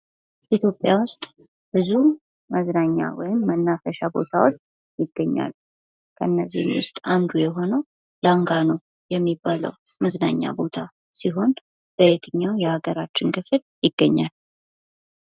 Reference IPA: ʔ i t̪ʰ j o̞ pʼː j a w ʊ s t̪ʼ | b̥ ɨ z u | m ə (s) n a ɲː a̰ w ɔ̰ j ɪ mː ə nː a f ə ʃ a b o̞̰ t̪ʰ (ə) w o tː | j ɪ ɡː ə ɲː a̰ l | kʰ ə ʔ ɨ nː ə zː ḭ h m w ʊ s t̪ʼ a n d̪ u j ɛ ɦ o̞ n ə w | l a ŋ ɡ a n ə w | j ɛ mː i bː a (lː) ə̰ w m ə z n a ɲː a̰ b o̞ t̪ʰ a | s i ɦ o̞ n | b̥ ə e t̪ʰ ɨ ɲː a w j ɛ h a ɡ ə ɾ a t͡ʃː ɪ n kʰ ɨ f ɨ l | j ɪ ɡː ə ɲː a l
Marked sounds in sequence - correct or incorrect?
incorrect: z, incorrect: a, incorrect: l

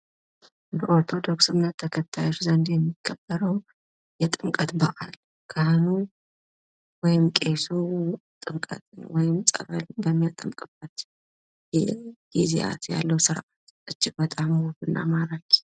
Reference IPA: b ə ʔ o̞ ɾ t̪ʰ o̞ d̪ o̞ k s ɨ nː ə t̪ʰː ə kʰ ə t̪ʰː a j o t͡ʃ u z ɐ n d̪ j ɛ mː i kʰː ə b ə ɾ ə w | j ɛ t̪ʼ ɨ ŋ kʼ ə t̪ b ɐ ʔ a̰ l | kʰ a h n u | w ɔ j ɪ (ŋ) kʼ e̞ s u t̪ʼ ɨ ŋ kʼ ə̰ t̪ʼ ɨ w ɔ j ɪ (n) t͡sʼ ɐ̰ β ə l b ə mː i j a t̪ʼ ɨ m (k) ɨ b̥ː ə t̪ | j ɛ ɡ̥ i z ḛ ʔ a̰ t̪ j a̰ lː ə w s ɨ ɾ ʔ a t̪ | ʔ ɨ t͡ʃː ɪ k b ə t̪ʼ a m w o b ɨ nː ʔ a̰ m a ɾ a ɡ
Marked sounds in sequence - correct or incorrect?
incorrect: m, incorrect: m, incorrect: kʼ

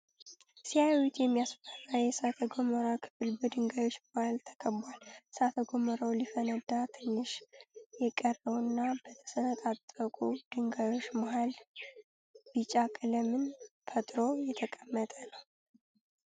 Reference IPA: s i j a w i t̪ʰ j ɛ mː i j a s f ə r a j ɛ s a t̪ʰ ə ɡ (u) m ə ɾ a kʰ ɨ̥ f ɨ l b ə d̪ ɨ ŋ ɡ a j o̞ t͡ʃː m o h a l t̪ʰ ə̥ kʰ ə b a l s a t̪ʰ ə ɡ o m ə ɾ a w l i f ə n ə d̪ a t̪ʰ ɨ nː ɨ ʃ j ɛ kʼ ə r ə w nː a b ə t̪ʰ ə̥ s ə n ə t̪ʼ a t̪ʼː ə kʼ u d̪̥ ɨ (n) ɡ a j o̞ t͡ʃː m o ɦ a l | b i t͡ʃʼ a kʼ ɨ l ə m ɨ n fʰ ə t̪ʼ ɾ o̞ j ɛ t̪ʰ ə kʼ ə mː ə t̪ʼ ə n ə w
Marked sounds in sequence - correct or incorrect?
incorrect: o, incorrect: ŋ

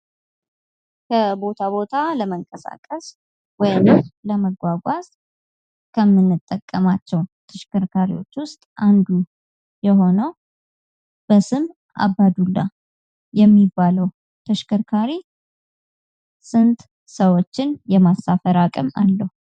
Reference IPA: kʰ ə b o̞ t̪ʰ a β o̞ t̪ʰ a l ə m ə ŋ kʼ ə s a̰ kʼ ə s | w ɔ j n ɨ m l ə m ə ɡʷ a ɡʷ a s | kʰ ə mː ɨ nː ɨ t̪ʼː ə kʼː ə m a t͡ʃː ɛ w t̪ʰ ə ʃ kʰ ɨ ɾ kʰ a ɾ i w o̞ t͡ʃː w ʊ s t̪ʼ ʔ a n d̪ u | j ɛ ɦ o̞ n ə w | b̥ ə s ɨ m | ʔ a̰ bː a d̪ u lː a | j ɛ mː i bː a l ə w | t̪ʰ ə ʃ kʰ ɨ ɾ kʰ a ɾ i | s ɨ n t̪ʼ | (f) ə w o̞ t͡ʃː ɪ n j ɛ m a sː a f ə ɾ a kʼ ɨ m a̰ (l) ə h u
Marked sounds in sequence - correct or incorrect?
incorrect: s, incorrect: lː

